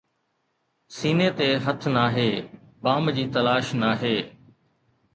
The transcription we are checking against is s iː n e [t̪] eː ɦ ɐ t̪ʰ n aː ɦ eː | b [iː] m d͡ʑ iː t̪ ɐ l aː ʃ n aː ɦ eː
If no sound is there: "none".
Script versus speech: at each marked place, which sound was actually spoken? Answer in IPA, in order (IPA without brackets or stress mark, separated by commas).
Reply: t̪, aː